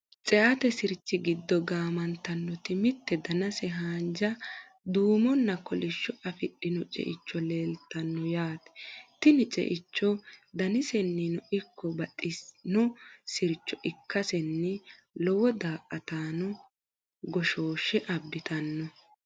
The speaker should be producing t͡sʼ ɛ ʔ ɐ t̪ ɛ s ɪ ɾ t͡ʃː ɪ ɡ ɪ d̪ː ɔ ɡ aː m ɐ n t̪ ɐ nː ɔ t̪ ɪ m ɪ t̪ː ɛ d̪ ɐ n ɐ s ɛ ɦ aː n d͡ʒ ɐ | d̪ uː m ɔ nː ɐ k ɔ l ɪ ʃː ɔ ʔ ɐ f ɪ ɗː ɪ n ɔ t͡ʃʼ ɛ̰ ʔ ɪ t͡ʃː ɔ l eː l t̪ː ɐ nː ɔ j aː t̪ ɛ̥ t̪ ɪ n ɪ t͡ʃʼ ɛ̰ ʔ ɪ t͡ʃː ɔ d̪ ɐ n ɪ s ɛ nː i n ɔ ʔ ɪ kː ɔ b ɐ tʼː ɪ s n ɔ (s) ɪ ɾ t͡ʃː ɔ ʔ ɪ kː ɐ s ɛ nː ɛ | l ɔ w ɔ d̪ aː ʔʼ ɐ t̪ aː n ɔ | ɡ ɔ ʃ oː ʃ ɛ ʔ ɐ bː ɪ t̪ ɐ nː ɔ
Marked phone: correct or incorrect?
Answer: correct